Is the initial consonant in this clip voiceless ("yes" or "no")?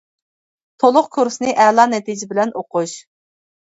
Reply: yes